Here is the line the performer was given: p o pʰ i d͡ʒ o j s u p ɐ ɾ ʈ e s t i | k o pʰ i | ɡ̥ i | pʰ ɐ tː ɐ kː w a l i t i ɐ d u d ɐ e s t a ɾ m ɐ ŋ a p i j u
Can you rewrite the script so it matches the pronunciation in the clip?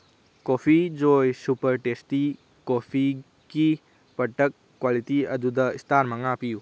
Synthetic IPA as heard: k o pʰ i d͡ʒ o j s u p ɐ ɾ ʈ e s t i | k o pʰ i | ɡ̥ i | p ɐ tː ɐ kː w a l i t i ɐ d u d ɐ i s t a ɾ m ɐ ŋ a p i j u